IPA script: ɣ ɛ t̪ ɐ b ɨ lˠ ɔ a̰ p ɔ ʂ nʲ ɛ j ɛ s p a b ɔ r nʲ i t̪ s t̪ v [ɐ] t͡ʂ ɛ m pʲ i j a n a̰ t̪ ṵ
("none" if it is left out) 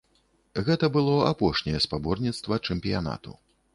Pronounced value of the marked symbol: ɐ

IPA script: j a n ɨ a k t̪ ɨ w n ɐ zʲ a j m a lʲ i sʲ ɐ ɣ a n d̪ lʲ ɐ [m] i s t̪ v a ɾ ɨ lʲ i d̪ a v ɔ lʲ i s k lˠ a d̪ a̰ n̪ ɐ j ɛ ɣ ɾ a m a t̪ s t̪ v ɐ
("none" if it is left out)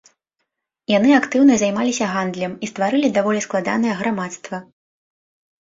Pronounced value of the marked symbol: m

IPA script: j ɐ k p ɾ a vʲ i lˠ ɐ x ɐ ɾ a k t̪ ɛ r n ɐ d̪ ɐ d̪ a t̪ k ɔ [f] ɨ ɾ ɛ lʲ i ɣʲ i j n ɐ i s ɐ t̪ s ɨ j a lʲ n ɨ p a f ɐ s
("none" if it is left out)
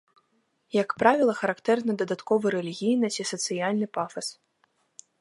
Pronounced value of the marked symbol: v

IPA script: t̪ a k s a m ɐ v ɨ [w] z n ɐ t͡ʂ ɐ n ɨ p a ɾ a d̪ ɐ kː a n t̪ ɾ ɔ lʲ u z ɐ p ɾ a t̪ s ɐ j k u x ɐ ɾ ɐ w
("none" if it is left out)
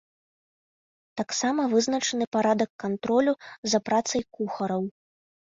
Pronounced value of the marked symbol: none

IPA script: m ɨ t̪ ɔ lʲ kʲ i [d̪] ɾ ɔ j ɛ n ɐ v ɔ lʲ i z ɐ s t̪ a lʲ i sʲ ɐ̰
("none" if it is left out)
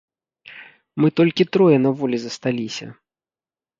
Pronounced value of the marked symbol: t̪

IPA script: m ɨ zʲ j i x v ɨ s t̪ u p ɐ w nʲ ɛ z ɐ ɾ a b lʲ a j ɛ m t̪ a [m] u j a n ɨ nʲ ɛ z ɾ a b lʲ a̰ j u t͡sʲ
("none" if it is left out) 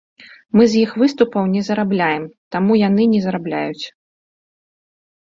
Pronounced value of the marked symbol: m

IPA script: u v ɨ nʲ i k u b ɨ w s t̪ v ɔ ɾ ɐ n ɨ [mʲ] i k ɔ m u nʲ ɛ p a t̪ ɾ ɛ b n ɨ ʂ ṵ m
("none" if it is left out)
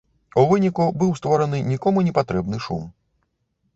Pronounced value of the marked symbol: nʲ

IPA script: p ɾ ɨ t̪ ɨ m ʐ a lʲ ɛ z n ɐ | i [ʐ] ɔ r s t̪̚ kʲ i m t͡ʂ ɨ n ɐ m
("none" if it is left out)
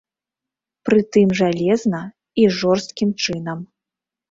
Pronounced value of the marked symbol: ʐ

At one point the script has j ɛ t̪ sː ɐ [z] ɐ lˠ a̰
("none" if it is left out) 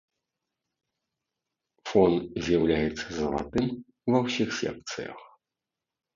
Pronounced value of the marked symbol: z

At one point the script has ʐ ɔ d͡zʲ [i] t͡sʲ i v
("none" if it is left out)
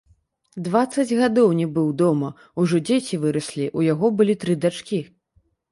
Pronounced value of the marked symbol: e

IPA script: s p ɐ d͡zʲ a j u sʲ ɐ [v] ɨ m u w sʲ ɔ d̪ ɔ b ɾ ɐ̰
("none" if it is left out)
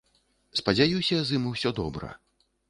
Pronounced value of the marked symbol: z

